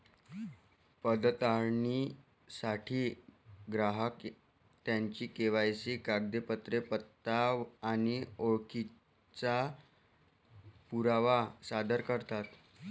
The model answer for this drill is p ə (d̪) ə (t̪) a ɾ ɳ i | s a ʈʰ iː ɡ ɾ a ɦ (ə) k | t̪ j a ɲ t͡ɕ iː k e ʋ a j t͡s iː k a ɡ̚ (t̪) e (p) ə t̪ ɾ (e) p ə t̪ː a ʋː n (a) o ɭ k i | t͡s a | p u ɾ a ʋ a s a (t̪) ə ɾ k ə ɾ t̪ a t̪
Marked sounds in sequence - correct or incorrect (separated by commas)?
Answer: correct, correct, correct, incorrect, correct, correct, incorrect, incorrect